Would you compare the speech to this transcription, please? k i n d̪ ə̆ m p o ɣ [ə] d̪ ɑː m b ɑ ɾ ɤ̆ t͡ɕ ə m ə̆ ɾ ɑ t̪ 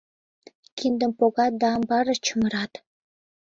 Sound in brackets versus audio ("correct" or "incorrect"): incorrect